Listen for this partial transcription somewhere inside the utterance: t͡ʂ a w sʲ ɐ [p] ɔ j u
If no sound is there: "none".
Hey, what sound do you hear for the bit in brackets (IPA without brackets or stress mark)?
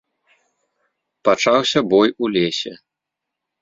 b